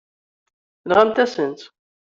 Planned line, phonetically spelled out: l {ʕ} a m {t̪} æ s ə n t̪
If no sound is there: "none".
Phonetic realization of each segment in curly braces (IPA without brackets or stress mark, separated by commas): ʁ, t̪